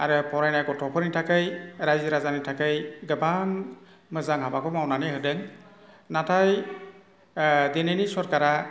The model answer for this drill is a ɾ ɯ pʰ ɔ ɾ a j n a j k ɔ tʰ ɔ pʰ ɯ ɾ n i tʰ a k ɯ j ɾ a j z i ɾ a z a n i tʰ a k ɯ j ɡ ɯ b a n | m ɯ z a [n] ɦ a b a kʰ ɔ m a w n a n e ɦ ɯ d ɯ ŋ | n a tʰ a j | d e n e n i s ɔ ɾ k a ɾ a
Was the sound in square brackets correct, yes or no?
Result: no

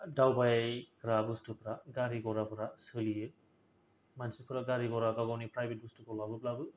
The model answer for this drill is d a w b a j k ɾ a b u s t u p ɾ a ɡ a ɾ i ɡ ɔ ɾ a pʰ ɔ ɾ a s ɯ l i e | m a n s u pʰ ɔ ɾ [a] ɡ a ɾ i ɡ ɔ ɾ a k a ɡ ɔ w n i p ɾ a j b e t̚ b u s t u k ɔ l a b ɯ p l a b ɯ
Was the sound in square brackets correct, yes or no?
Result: yes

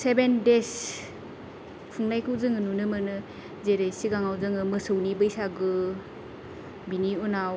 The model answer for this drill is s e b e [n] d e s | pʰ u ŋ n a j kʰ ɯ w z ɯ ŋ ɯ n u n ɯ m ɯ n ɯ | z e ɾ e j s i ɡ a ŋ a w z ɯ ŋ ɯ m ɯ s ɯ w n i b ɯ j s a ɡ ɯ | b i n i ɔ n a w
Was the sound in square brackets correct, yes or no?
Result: yes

